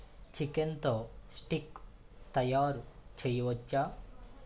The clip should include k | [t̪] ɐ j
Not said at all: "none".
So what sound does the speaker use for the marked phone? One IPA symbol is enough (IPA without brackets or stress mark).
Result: t̪